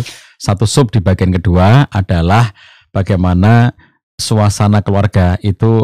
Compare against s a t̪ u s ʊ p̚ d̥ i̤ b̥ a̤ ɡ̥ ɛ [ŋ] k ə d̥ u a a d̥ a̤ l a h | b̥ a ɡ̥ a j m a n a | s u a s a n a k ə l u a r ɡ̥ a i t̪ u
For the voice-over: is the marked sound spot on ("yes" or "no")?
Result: no